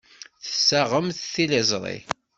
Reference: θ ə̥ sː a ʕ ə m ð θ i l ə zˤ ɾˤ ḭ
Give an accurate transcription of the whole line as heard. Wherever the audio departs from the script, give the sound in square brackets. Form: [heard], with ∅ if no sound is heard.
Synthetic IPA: θ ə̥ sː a [ʁ] ə m [θ] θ i l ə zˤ ɾˤ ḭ